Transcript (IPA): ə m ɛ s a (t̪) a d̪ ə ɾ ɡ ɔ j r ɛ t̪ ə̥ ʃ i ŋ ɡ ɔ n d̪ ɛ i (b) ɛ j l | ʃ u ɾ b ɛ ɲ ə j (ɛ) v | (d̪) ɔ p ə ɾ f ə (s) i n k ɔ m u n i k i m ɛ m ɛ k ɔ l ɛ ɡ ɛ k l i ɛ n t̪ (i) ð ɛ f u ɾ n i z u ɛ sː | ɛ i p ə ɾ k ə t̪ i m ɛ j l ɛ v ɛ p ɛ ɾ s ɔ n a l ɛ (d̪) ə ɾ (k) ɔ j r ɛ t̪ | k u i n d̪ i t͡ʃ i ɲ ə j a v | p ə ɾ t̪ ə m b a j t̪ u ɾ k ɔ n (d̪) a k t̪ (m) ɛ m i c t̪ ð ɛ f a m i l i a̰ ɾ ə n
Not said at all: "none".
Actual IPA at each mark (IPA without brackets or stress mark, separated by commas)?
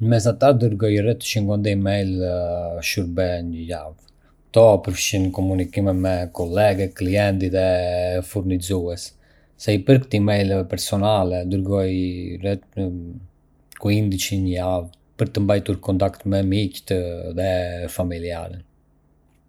t̪, m, a, t̪, ʃ, i, d̪, ɡ, t̪, m